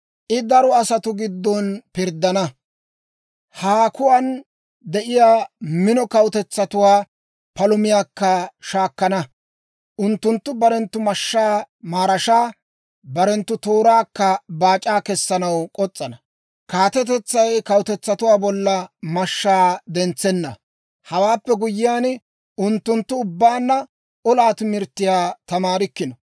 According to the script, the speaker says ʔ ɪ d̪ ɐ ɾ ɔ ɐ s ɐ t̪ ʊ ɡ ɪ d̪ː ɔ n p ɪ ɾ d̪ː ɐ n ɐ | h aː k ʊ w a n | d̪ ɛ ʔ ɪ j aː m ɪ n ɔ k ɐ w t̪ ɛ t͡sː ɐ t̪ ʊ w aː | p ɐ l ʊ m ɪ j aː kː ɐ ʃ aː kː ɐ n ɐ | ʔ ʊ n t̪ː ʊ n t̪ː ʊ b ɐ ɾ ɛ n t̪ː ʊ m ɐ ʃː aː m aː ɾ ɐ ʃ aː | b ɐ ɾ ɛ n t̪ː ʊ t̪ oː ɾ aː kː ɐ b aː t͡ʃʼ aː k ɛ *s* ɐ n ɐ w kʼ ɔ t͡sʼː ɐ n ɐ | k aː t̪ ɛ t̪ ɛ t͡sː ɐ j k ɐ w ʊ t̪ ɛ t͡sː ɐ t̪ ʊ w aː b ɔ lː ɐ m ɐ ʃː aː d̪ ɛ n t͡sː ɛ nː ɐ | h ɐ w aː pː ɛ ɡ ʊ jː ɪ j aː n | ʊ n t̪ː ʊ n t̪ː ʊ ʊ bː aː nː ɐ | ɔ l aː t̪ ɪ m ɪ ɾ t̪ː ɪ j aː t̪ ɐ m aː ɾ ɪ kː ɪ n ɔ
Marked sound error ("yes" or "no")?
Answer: yes